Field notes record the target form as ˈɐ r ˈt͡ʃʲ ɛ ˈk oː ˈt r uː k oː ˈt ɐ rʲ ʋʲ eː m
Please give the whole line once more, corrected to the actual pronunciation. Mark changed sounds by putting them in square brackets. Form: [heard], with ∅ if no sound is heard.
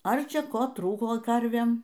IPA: ˈɐ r ˈt͡ʃʲ ɛ ˈk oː ˈt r uː k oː [ˈk] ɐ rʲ ʋʲ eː m